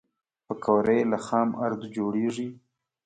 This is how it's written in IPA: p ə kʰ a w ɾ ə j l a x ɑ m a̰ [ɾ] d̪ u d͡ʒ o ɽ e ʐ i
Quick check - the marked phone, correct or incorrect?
correct